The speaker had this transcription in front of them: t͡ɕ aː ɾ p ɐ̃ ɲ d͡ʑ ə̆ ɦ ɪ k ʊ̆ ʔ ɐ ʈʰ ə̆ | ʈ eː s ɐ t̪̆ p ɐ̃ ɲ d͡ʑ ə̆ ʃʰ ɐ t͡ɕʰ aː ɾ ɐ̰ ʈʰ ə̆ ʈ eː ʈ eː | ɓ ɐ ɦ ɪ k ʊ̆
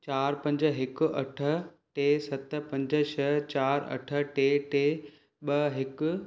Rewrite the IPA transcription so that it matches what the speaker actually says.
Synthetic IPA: t͡ɕ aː ɾ p ɐ̃ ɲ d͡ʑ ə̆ ɦ ɪ k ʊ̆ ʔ ɐ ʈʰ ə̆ | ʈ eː s ɐ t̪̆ p ɐ̃ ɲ d͡ʑ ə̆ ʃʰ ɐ t͡ɕ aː ɾ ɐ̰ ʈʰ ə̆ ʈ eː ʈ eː | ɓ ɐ ɦ ɪ k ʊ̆

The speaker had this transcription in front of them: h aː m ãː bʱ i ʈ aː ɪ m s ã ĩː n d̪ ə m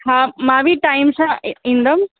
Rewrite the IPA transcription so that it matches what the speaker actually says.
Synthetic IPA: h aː m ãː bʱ i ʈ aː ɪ m s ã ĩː n d̪ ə m

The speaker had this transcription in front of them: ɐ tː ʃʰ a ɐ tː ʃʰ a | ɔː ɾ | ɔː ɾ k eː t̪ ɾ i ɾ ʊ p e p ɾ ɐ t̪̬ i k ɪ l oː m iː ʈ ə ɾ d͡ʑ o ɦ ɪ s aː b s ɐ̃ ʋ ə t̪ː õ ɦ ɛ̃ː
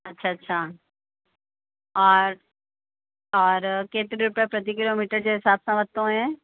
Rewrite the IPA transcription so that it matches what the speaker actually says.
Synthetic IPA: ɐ tː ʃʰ a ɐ tː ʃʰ a | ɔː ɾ | ɔː ɾ k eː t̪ ɾ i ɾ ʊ p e p ɾ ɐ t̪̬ i k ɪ l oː m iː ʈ ə ɾ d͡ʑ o ɦ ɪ s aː b s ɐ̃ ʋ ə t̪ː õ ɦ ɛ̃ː

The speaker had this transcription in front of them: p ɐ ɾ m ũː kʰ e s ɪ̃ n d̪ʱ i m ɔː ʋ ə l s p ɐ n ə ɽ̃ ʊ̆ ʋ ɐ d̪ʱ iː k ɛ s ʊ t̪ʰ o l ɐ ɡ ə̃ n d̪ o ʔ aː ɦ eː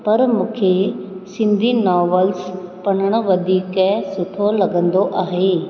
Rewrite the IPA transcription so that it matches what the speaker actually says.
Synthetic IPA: p ɐ ɾ m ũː kʰ e s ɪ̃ n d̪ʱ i n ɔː ʋ ə l s p ɐ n ə ɽ̃ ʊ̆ ʋ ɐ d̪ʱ iː k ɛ s ʊ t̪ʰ o l ɐ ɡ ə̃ n d̪ o ʔ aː ɦ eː

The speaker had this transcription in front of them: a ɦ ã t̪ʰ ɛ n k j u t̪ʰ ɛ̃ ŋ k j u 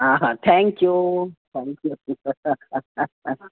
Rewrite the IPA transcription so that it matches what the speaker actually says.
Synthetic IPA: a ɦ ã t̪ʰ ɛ ŋ k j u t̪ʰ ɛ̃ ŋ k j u

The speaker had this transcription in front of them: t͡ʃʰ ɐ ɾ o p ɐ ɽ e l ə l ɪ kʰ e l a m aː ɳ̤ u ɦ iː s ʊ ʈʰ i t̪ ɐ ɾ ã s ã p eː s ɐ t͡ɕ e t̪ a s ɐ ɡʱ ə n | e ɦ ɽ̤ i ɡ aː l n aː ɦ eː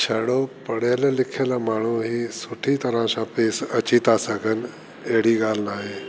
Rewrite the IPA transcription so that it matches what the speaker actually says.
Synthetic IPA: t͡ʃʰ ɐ ɽ o p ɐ ɽ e l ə l ɪ kʰ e l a m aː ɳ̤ u ɦ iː s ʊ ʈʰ i t̪ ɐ ɾ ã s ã p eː s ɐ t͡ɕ i t̪ a s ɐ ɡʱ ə n | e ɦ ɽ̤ i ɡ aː l n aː ɦ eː

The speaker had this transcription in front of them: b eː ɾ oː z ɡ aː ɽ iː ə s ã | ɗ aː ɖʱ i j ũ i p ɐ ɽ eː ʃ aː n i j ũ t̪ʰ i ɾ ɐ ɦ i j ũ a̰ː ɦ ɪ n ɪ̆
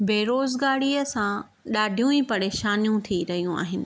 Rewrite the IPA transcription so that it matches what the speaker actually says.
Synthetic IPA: b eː ɾ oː z ɡ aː ɽ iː ə s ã | ɗ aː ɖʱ i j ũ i p ɐ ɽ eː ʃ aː n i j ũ t̪ʰ i ɾ ɐ ɦ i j ũ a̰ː ɦ ɪ n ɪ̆

